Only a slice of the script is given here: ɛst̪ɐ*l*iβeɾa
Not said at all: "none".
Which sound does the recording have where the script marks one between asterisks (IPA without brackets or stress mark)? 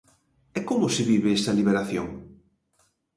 l